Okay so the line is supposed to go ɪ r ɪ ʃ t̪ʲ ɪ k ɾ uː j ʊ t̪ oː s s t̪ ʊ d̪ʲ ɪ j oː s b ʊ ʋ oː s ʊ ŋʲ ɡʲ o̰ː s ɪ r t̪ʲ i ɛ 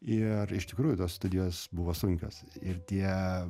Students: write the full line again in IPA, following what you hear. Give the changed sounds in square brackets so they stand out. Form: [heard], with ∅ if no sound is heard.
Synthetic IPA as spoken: ɪ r ɪ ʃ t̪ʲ ɪ k ɾ uː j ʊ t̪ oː s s t̪ ʊ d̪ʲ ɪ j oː s b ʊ ʋ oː s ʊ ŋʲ [kʲ] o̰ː s ɪ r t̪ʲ i ɛ